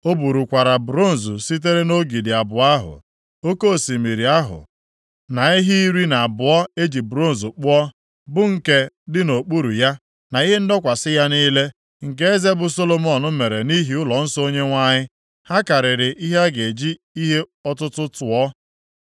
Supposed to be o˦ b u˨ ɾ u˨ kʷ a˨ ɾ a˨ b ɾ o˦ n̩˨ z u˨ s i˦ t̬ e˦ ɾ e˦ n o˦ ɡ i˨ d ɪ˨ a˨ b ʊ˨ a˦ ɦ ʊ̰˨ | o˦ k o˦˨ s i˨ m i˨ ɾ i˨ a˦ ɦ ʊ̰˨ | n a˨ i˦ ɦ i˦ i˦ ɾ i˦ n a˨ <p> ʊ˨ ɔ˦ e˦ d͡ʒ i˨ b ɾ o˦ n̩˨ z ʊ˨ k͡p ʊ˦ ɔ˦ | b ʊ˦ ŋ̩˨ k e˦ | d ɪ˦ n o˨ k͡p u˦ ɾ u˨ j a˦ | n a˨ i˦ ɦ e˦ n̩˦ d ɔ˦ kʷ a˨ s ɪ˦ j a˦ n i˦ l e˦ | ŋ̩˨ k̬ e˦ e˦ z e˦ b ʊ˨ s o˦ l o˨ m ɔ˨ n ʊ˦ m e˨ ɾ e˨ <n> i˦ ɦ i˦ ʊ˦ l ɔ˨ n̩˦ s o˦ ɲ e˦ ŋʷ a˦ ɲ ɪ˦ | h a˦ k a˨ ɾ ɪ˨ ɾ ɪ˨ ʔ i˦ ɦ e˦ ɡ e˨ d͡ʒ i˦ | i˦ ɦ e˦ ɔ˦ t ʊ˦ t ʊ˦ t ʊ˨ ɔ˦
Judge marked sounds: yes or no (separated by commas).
no, yes